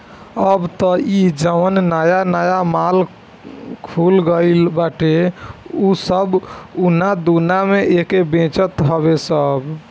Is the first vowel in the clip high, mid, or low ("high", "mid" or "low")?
mid